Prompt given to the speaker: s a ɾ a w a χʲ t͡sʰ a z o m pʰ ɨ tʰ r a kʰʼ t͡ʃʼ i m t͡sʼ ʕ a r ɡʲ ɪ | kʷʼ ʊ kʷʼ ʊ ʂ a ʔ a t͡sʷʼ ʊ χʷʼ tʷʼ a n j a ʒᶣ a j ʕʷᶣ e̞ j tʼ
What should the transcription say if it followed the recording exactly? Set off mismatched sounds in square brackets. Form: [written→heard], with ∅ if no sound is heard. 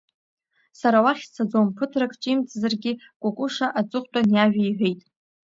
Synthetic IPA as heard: s a ɾ a w a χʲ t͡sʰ a [z→d͡z] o m pʰ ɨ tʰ r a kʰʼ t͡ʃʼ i m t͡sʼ [ʕ→z] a r ɡʲ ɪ | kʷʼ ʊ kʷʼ ʊ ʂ a ʔ a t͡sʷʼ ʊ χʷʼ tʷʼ a n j a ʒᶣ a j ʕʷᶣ e̞ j tʼ